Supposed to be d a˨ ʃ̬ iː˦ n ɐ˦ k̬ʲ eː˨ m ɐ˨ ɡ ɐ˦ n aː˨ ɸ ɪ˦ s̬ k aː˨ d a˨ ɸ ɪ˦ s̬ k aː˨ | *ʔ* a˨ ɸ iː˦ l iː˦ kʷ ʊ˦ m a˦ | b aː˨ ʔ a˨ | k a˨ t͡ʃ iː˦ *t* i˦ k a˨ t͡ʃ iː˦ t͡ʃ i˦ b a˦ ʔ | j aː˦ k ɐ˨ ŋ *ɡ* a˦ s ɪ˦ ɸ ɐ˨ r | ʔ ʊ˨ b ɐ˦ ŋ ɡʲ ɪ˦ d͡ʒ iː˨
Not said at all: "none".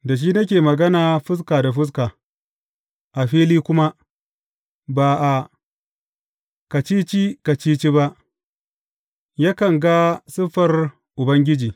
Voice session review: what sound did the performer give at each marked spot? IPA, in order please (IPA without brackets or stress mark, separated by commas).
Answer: ʔ, t͡ʃ, ɡ